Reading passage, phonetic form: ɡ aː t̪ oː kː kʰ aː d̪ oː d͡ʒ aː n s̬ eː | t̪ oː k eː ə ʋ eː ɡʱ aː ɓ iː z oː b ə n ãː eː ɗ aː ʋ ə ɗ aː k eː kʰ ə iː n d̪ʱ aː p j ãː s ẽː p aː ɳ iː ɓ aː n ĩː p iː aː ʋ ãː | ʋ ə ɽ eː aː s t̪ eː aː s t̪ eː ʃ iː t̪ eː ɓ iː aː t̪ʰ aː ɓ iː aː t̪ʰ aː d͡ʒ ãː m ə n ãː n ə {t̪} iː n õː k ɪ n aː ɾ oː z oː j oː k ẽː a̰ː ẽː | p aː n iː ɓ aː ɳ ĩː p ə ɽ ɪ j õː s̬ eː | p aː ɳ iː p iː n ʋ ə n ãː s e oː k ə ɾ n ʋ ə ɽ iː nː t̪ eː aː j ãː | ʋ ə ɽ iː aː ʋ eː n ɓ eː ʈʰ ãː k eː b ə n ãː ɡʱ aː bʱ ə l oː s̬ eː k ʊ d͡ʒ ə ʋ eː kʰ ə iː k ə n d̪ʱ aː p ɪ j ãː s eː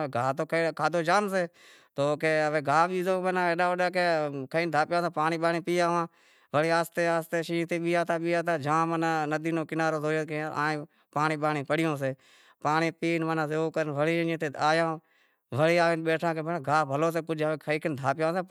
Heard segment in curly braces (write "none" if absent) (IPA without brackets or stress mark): d̪